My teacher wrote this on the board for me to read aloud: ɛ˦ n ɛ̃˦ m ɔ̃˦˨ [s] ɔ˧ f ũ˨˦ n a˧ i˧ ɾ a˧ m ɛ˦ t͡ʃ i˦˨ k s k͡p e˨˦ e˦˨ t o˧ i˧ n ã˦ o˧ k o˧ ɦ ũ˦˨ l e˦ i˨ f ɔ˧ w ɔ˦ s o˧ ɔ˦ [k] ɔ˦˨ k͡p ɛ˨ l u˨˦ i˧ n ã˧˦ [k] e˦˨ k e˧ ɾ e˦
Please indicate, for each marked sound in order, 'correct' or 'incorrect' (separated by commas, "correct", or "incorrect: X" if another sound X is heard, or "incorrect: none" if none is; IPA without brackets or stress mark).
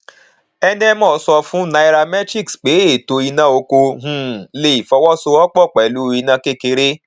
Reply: correct, incorrect: k͡p, correct